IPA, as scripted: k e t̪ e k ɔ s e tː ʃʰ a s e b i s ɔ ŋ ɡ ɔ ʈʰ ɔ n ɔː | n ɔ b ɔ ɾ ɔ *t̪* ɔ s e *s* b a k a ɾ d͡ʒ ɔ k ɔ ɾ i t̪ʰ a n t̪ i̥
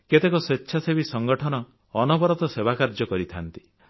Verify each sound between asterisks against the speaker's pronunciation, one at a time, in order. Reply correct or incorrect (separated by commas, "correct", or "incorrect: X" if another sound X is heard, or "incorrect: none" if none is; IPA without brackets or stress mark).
correct, incorrect: none